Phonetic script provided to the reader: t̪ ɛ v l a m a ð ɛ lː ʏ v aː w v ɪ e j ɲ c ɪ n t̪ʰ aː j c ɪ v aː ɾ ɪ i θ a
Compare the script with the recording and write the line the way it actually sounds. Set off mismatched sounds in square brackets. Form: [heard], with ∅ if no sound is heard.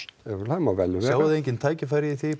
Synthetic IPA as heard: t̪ ɛ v l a m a [v] ɛ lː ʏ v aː w [ð] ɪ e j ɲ c ɪ n t̪ʰ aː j c ɪ [f] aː ɾ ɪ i θ [i]